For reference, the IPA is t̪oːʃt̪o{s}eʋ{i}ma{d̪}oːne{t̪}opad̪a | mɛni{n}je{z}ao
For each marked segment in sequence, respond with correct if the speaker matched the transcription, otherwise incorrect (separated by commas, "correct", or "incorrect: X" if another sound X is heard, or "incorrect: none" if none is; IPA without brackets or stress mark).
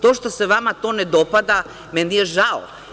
correct, incorrect: a, incorrect: t̪, incorrect: d̪, incorrect: none, incorrect: ʒ